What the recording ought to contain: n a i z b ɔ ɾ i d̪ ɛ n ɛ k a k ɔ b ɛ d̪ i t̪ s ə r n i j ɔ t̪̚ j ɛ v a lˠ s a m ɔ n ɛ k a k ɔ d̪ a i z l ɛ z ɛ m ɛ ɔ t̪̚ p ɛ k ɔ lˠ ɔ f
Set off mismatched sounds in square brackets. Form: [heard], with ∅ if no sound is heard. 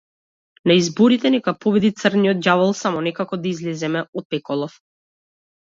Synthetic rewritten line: n a i z b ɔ ɾ i [t̪] ɛ n ɛ k a [p] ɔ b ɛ d̪ i t̪ s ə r n i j ɔ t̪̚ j [a] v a lˠ s a m ɔ n ɛ k a k ɔ d̪ a i z l ɛ z ɛ m ɛ ɔ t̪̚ p ɛ k ɔ lˠ ɔ f